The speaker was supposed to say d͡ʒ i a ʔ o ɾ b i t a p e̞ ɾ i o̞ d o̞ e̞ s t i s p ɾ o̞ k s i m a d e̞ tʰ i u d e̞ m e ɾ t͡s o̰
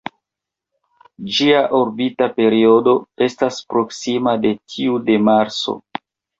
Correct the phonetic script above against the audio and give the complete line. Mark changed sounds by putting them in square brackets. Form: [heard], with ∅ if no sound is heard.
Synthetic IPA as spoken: d͡ʒ i a ʔ o ɾ b i t a p e̞ ɾ i o̞ d o̞ e̞ s t [a] s p ɾ o̞ k s i m a d e̞ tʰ i u d e̞ m [a] ɾ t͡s o̰